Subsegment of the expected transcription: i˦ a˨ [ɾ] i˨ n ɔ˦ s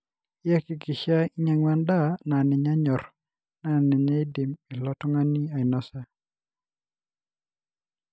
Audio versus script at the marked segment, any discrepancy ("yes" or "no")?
yes